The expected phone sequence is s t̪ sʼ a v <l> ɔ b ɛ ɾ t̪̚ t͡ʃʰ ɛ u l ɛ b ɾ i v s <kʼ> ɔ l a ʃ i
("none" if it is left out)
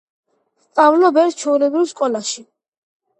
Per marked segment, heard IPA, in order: l, kʼ

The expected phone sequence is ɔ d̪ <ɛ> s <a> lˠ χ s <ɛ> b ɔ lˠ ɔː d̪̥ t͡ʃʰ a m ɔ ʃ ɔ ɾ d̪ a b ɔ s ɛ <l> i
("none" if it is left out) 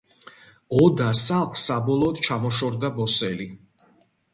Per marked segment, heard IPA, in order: a, a, a, l

